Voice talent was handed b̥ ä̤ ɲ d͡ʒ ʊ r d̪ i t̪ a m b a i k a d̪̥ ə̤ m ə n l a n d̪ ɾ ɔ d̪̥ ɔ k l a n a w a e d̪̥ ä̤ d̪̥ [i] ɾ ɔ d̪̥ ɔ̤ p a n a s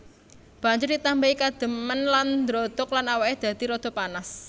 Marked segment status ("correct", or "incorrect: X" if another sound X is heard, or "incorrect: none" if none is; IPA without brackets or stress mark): correct